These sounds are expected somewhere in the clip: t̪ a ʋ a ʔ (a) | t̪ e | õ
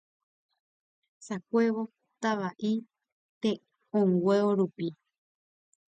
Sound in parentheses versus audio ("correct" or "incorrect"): incorrect